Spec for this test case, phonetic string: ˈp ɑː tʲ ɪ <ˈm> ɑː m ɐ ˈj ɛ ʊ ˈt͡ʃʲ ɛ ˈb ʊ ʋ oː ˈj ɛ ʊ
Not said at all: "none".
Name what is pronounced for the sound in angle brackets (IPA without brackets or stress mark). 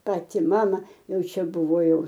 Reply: m